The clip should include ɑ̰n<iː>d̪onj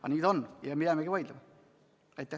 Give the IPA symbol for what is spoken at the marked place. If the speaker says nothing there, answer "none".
iː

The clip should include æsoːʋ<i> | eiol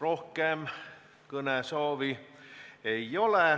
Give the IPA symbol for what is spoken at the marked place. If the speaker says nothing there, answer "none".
i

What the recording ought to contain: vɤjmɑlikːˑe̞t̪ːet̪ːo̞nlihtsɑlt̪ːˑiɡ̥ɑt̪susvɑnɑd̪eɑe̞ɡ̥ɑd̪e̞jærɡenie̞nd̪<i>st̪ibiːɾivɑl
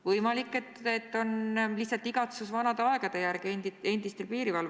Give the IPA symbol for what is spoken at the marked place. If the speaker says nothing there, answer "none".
i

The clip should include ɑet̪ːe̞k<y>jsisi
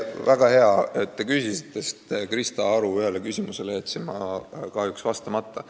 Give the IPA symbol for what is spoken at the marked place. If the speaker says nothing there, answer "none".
y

